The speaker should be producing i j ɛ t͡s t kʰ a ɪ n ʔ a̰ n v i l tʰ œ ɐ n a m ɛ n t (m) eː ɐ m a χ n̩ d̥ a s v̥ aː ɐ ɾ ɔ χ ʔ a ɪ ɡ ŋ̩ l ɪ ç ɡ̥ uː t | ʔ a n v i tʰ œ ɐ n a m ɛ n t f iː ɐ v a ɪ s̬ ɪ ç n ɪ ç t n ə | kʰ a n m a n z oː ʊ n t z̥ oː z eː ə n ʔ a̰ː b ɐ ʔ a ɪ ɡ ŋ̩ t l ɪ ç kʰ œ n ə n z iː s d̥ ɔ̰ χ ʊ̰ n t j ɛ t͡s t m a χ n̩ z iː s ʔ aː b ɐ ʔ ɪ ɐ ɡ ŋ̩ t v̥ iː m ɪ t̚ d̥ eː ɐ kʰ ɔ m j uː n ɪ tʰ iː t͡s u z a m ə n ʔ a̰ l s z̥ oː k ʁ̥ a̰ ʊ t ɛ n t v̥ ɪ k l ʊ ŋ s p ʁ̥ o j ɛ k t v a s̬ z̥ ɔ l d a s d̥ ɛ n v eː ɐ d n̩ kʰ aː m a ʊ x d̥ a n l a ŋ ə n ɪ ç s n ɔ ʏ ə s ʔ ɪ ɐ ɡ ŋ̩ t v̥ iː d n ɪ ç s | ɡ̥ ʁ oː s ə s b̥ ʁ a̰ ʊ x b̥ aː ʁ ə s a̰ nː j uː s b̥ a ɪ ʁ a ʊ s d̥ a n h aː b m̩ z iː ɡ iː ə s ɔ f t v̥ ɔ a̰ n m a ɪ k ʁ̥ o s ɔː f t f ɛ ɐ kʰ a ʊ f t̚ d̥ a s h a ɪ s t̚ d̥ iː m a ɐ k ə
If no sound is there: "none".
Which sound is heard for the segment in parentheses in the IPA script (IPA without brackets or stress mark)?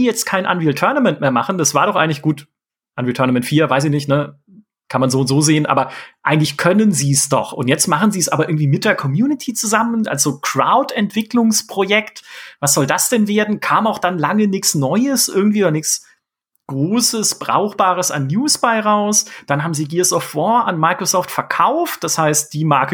m